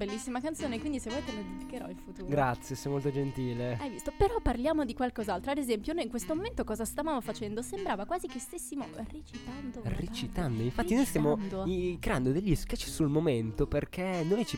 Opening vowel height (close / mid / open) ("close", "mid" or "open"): mid